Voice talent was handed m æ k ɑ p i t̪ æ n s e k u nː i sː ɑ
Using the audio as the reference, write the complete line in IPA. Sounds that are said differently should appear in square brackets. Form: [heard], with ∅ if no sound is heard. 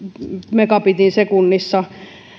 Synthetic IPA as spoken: m [e] k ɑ p i t̪ [i] n s e k u nː i sː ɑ

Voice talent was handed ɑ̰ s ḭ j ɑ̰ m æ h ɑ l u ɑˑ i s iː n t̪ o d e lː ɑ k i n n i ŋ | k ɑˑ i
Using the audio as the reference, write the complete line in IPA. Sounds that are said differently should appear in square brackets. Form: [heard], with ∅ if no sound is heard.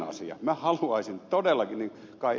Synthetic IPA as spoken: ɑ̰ s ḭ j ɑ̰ m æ h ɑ l u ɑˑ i s [i] n t̪ o d e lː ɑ k i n n i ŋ | k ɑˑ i

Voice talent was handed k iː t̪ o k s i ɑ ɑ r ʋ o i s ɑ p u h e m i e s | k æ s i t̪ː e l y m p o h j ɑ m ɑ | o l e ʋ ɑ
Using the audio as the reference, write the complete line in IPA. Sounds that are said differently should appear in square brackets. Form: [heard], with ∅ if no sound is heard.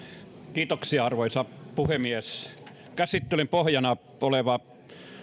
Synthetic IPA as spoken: k iː t̪ o k s i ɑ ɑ r ʋ o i s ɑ p u h e m i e s | k æ s i t̪ː e l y m p o h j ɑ [n] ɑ | o l e ʋ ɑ

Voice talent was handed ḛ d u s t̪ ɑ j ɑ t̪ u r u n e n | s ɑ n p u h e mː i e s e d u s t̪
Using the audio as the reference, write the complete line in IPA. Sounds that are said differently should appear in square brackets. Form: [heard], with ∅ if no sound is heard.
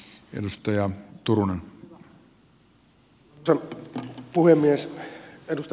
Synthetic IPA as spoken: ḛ d u s t̪ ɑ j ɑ t̪ u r u n e n | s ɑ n p u h e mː i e s e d u s t̪

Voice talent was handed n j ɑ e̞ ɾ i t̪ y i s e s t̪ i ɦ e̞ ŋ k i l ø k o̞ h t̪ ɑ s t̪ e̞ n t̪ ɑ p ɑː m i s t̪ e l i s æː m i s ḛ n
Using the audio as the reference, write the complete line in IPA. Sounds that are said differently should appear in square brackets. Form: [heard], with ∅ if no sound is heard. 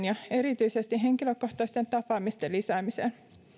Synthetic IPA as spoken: n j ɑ e̞ ɾ i t̪ y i s e s t̪ i ɦ e̞ ŋ k i l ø k o̞ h t̪ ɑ s t̪ e̞ n t̪ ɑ p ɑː m i s t̪ e l i s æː m i s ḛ n

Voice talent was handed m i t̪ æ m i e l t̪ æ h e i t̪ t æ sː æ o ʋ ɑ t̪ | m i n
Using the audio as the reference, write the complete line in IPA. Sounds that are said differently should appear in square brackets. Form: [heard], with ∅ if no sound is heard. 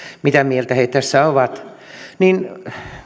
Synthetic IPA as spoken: m i t̪ æ m i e l t̪ æ h e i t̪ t æ sː æ o ʋ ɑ t̪ | [n] i n

